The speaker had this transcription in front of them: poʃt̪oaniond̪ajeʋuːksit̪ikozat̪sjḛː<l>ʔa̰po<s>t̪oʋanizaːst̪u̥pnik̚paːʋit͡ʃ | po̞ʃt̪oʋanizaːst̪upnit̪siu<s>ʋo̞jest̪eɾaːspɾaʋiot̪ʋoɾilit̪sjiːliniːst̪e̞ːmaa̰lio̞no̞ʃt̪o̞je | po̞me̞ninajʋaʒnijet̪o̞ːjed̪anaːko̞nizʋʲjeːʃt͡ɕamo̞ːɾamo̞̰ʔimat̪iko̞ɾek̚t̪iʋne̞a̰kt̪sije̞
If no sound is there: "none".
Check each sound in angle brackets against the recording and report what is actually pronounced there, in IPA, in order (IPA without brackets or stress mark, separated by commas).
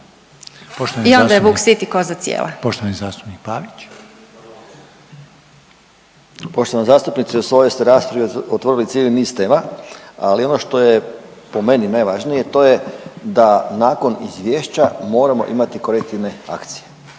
l, ʃ, s